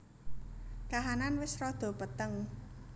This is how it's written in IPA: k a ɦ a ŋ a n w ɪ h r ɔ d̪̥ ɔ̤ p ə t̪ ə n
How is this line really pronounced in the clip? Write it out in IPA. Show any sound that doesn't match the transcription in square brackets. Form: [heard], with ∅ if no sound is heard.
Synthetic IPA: k a ɦ a [n] a n w ɪ [s] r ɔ d̪̥ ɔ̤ p ə t̪ ə [ŋ]

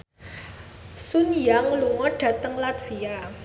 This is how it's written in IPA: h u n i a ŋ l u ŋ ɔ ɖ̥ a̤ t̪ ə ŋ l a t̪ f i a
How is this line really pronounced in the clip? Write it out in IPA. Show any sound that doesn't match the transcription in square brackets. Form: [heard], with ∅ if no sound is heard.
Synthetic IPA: [s] u n [j] a ŋ l u ŋ ɔ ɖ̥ a̤ t̪ ə ŋ l a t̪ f i a

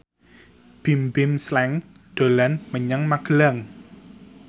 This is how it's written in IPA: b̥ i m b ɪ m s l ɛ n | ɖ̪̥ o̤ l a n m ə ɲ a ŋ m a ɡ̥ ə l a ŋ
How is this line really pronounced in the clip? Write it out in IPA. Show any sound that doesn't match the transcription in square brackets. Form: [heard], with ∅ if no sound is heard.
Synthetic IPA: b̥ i m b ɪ m s l ɛ [ŋ] | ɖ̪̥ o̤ l a n m ə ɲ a ŋ m a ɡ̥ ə l a ŋ

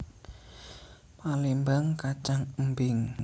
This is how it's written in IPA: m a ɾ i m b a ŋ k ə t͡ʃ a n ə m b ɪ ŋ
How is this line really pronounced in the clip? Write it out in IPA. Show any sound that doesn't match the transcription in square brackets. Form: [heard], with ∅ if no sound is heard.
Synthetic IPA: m a [l] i m b a ŋ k [a] t͡ʃ a [ŋ] ə m b ɪ ŋ

